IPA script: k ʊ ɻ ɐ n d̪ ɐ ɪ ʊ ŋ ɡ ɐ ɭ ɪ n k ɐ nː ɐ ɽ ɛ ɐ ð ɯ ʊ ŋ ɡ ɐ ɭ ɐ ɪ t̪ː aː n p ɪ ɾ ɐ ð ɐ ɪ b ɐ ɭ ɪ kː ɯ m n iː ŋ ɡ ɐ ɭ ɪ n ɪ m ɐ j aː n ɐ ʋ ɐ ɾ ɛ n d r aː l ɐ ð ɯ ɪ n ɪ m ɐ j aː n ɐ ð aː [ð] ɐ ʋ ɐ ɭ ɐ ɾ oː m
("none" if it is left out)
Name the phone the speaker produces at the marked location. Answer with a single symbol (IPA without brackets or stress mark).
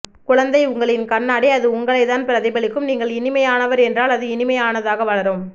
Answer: ɣ